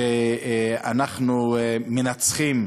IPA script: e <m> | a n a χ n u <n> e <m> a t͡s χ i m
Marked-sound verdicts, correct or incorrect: incorrect: none, incorrect: m, incorrect: n

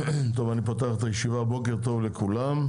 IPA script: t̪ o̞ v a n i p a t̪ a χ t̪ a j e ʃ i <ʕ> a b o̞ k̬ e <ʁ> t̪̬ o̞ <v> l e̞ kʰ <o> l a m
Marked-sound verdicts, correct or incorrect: incorrect: v, correct, correct, incorrect: u

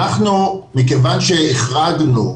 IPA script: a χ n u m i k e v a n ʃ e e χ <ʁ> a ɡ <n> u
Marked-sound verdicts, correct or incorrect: correct, correct

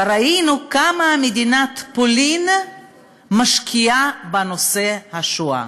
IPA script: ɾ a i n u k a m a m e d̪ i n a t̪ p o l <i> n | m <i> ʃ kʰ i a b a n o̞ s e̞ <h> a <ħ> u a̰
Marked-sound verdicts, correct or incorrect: correct, incorrect: a, correct, incorrect: ʃ

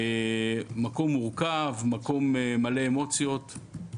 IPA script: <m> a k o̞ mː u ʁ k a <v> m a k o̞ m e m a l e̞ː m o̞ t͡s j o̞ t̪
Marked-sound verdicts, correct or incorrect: correct, correct

